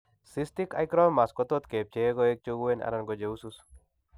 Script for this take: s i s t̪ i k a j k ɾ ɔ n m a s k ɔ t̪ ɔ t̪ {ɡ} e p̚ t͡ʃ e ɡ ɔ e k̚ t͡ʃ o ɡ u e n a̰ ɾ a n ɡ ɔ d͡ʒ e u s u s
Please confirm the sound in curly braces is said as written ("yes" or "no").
no